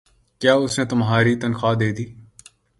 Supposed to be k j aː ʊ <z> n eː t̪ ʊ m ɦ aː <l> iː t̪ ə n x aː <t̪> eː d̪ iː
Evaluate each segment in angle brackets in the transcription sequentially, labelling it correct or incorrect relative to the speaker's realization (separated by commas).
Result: incorrect, incorrect, incorrect